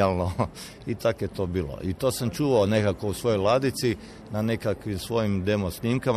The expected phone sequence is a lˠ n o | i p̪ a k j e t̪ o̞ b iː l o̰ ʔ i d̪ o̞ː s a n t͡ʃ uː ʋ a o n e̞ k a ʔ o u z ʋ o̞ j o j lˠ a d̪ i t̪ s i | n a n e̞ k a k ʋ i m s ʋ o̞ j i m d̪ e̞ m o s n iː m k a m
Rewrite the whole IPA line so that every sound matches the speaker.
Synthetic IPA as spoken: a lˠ n o | i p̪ a k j e t̪ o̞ b iː l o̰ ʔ i t̪ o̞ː s a m t͡ʃ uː ʋ a o n e̞ k a k o u s ʋ o̞ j o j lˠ a d̪ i t̪ s i | n a n e̞ k a k ʋ i m s ʋ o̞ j i m d̪ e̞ m o s n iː m k a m